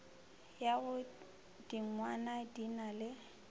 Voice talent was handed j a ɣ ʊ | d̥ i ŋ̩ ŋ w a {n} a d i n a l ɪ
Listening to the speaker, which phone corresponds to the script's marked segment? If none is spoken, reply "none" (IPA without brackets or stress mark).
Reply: n